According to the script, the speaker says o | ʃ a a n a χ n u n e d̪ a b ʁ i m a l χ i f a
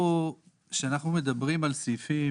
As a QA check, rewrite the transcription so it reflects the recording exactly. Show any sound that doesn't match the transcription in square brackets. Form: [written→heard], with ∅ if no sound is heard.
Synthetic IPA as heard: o | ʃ [a→e] a n a χ n u [n→m] e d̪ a b ʁ i m a l [χ→s] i f [a→i]